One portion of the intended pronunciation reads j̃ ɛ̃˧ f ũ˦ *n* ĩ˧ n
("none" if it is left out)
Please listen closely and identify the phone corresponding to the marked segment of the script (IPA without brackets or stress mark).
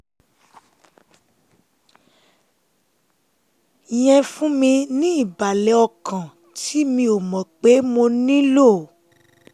m